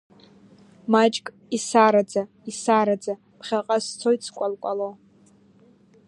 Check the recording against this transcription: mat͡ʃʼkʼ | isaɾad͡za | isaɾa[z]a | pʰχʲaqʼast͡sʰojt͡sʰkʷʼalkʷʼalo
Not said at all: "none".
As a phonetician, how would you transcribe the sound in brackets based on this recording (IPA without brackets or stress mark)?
d͡z